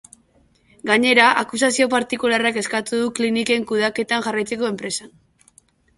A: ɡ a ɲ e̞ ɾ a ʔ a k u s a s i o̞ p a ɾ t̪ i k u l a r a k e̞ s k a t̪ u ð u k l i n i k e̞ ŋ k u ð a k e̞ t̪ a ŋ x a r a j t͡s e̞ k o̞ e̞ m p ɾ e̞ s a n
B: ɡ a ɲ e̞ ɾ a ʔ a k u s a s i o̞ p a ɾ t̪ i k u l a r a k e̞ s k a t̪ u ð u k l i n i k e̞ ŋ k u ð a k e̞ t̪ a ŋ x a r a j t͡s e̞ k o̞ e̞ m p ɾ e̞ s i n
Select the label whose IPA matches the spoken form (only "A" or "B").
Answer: A